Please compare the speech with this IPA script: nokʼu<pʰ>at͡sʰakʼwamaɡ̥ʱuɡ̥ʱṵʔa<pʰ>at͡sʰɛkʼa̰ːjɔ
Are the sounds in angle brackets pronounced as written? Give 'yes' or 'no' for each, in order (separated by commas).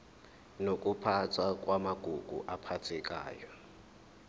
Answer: yes, yes